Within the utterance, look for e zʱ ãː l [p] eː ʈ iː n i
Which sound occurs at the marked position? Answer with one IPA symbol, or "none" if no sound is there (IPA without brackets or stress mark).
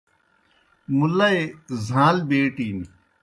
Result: b